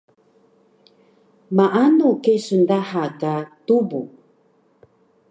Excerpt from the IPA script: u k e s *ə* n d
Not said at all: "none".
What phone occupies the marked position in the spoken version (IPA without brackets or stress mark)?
ə